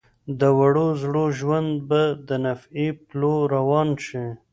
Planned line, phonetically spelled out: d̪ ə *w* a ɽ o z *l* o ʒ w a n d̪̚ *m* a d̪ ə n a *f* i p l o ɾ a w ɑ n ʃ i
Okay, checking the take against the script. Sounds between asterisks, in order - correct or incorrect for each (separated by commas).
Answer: correct, incorrect, incorrect, correct